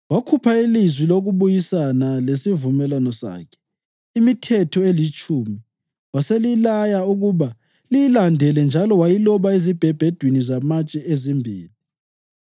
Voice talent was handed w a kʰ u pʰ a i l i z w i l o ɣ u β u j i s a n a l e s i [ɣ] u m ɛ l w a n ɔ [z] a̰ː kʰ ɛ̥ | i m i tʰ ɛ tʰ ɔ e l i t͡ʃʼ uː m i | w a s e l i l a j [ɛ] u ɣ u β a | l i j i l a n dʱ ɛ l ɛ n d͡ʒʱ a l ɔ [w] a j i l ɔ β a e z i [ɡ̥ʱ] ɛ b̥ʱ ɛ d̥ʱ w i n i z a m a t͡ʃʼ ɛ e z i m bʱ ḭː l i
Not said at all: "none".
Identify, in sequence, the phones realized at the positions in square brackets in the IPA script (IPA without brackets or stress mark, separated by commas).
v, s, a, w, b̥ʱ